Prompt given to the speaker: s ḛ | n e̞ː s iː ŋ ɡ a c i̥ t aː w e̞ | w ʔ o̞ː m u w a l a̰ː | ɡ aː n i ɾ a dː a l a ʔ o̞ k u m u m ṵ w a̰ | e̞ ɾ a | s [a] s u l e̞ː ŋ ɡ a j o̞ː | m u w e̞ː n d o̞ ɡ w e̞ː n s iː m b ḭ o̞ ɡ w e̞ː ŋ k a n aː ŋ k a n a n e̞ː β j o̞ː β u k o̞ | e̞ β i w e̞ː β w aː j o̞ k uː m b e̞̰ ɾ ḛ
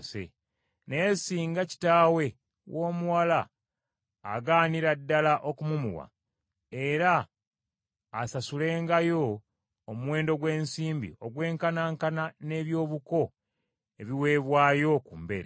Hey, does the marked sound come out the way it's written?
yes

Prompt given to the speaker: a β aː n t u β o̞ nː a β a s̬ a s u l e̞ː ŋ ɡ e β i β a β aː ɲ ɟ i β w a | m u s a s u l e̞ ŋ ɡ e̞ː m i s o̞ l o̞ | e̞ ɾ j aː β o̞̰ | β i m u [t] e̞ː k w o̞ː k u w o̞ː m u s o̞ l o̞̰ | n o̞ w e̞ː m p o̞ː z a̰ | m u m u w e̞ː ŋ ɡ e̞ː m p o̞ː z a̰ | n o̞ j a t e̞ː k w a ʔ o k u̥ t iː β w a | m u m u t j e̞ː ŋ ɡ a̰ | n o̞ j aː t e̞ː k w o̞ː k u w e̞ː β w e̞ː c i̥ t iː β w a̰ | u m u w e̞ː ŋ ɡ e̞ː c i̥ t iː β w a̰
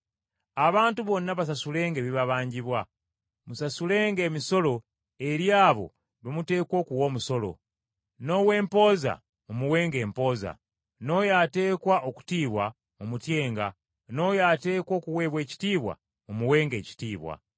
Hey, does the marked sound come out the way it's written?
yes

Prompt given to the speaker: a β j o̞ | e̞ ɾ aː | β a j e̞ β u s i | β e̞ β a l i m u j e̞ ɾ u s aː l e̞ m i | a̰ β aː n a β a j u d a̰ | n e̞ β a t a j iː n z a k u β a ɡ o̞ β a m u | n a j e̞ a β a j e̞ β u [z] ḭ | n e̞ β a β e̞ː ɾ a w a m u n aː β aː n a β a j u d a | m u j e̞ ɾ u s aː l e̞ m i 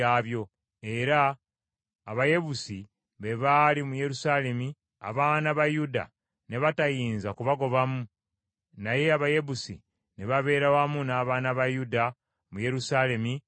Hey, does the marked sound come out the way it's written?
no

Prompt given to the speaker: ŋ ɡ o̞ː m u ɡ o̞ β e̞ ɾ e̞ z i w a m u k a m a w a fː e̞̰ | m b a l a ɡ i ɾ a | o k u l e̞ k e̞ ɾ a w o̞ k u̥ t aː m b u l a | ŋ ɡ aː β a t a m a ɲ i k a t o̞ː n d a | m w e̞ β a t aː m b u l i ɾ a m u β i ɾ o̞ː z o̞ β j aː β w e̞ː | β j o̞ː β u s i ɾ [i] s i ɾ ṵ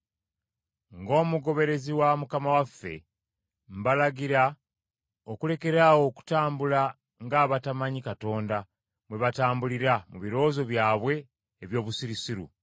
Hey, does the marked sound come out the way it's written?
yes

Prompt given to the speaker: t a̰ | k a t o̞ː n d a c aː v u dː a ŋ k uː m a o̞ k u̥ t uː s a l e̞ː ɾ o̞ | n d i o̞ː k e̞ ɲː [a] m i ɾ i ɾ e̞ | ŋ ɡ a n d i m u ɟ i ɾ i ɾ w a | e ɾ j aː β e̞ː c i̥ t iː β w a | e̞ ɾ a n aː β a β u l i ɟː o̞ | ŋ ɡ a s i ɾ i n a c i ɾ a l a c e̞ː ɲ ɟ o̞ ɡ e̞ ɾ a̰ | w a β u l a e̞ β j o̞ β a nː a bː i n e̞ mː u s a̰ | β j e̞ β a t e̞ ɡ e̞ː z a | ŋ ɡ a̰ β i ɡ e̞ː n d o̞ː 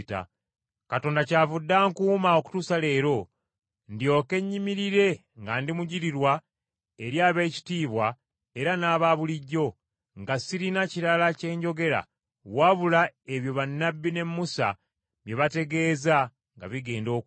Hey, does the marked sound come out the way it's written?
no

